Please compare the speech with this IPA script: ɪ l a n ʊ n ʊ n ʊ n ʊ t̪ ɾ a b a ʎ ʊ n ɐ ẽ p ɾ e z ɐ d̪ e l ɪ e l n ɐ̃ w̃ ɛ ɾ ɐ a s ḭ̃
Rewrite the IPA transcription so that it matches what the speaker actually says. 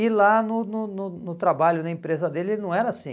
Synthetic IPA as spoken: ɪ l a n ʊ n ʊ n ʊ n ʊ t̪ ɾ a b a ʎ ʊ n ɐ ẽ p ɾ e z ɐ d̪ e l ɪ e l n ɐ̃ w̃ ɛ ɾ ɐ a s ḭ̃